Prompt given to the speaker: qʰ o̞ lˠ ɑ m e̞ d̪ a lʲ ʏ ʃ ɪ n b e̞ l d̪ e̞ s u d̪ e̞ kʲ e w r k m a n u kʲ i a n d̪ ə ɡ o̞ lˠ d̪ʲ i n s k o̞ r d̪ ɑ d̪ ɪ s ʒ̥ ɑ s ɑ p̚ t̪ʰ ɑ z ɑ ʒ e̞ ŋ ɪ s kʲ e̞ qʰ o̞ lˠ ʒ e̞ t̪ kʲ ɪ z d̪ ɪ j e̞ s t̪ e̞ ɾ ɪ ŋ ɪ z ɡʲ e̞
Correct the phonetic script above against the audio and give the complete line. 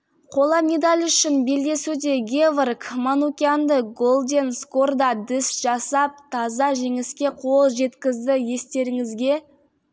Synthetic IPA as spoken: qʰ o̞ lˠ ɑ m e̞ d̪ a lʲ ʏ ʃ ɪ n b e̞ l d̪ e̞ s u d̪ e̞ ɡʲ e v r k m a n u kʲ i a n d̪ ə ɡ o̞ lˠ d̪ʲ e n s k o̞ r d̪ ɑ d̪ ɪ s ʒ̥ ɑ s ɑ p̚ t̪ʰ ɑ z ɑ ʒ e̞ ŋ ɪ s kʲ e̞ qʰ o̞ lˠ ʒ e̞ t̪ kʲ ɪ z d̪ ɪ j e̞ s t̪ e̞ ɾ ɪ ŋ ɪ z ɡʲ e̞